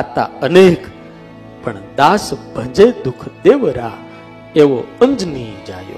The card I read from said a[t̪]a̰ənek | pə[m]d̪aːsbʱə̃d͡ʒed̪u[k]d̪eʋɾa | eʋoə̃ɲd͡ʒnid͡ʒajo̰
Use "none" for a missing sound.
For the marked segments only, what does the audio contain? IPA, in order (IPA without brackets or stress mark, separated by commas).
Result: t̪, ɳ, kʰ